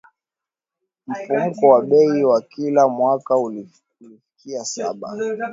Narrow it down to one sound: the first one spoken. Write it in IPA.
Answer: m̩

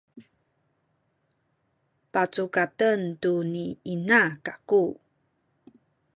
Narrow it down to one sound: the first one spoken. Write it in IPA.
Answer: p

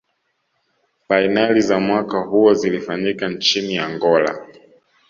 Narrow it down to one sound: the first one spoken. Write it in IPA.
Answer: f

